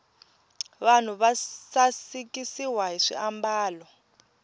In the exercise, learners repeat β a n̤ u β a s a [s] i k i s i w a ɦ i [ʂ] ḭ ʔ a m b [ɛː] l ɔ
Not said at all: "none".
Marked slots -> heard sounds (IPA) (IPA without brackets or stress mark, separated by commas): s, ʂ, aː